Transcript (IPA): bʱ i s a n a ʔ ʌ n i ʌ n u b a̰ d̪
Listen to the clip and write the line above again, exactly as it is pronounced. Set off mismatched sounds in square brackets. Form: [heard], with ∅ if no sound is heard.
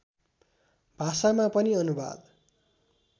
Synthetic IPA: bʱ [a] s a [m] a [p] ʌ n i ʌ n u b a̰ d̪